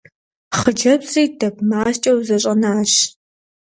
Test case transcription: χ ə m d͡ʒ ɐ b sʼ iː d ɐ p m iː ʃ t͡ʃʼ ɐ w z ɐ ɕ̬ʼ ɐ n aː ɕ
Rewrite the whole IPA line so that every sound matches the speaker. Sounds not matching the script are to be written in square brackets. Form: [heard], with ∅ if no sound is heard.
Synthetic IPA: χ ə [∅] d͡ʒ ɐ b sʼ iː d ɐ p m [aː] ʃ t͡ʃʼ ɐ w z ɐ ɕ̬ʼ ɐ n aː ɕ